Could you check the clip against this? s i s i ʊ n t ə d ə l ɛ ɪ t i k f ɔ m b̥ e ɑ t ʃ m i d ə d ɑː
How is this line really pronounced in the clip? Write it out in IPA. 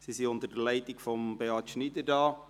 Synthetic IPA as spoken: s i s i ʊ n t ə d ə l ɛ ɪ t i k f ɔ m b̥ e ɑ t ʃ n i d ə d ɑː